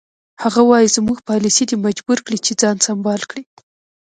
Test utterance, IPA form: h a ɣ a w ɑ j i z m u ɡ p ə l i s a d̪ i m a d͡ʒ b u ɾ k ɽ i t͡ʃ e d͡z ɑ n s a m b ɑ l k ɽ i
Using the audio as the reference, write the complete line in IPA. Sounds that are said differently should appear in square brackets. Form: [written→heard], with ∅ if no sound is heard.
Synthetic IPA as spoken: h a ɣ a w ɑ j i z m u ɡ p [ə→ɑ] l i s [a→i] d̪ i m a d͡ʒ b u ɾ k ɽ i t͡ʃ e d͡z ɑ n s a m b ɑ l k ɽ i